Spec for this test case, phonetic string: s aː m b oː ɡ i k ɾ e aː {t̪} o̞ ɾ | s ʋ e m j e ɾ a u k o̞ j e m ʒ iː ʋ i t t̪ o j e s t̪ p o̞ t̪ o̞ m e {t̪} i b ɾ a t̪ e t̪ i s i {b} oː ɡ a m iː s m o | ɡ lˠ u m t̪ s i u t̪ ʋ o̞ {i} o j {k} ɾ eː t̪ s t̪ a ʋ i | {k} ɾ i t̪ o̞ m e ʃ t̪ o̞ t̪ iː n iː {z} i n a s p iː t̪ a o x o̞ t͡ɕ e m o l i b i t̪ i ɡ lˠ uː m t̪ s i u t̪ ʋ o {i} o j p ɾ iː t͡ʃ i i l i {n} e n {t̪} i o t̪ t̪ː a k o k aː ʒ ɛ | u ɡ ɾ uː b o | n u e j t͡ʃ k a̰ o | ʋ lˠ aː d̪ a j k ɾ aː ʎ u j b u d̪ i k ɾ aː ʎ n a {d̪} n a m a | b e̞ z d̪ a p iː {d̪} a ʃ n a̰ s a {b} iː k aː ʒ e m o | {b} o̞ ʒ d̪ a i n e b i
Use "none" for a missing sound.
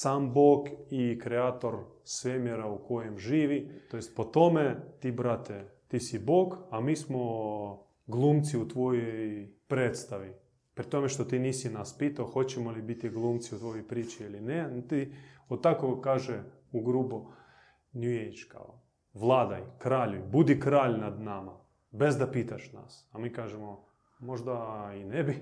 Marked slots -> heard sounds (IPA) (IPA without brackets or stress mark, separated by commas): t̪, t̪, b, j, p, p, s, j, n, t̪, d̪, t̪, m, m